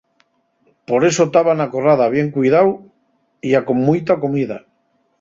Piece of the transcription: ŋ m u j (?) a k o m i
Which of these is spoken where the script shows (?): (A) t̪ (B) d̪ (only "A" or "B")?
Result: A